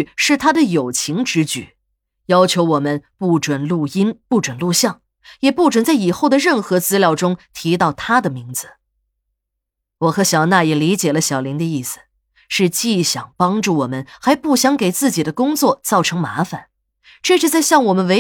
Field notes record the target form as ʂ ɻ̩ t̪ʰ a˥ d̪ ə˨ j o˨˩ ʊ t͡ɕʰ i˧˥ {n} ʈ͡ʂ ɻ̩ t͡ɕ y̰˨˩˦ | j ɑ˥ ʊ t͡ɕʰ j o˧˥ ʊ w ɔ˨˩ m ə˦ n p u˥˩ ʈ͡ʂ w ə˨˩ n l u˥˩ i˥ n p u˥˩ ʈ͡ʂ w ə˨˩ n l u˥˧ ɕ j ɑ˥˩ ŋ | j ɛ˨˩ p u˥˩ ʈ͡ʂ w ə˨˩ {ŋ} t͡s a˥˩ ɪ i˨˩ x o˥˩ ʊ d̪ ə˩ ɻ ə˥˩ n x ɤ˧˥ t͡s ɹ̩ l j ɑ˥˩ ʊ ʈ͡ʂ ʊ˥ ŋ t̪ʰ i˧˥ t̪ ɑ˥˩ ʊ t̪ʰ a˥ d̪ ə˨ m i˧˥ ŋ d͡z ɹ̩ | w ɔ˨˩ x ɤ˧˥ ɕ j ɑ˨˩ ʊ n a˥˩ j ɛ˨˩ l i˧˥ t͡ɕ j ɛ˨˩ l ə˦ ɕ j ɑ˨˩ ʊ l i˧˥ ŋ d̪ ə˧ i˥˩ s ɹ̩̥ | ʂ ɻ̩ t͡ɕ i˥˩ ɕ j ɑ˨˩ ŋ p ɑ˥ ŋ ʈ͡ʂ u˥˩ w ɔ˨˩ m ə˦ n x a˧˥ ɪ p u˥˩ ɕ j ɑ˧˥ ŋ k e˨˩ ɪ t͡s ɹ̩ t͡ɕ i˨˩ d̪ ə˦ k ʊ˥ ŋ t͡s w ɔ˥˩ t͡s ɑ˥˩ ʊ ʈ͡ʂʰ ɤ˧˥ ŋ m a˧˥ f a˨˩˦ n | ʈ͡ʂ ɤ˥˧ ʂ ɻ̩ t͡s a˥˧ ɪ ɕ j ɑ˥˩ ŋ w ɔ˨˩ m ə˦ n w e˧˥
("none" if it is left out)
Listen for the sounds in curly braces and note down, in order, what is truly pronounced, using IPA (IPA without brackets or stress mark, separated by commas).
ŋ, n